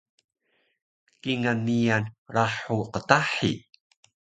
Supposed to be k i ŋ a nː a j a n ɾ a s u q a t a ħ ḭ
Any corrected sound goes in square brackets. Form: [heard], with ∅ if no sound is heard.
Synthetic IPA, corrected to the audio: k i ŋ a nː [i] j a n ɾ a [ħ] u q [ə] t a ħ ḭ